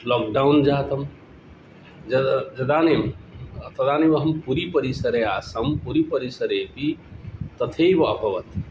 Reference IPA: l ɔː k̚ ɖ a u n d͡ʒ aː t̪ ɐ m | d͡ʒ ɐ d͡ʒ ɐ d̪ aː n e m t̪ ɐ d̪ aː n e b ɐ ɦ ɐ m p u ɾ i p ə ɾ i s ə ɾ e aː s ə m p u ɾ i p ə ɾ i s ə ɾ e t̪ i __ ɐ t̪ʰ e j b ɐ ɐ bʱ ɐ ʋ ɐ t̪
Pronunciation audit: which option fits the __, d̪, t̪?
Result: t̪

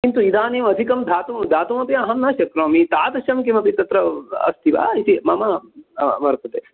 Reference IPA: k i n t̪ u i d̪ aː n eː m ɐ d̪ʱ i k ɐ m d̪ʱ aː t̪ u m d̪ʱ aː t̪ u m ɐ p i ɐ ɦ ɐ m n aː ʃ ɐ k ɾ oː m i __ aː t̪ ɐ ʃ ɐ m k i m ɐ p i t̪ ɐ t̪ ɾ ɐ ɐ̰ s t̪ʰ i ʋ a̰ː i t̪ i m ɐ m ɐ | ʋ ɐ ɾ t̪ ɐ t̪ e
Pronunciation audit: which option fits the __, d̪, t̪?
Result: t̪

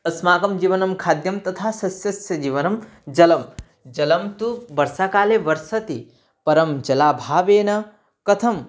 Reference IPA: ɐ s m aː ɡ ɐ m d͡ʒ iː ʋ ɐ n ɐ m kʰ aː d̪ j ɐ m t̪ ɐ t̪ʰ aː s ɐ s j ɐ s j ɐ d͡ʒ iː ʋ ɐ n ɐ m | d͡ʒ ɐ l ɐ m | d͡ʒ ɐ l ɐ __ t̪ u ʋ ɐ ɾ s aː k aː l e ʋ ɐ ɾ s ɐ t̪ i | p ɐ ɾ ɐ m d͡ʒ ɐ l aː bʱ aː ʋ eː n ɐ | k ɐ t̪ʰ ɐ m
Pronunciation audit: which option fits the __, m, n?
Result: m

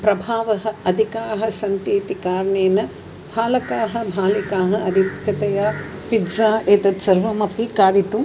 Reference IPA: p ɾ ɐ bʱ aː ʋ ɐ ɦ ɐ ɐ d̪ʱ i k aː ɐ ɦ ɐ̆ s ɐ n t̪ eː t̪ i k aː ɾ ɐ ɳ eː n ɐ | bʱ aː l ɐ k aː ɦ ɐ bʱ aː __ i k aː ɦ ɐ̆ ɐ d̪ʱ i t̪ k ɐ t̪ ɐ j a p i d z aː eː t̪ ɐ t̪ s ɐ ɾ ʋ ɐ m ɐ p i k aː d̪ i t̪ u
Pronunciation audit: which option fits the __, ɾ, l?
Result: l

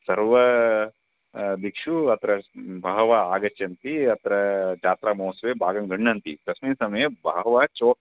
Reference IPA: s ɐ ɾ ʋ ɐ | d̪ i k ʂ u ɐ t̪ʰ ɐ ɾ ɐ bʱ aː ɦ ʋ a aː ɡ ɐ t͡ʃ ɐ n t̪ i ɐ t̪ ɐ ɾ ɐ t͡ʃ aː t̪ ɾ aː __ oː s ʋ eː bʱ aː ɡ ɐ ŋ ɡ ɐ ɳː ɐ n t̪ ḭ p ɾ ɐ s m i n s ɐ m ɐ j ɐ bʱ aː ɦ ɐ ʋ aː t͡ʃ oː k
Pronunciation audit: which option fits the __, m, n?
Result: m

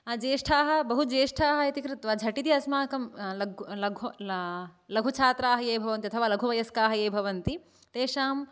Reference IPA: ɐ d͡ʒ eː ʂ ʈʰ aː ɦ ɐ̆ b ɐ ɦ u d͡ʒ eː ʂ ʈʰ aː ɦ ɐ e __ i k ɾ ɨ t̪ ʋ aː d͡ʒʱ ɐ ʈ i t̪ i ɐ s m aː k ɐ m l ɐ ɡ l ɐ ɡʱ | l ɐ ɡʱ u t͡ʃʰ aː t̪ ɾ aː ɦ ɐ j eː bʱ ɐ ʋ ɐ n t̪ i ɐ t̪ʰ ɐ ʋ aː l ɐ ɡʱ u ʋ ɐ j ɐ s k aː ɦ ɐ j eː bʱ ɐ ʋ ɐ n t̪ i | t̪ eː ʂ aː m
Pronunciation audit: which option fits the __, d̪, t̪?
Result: t̪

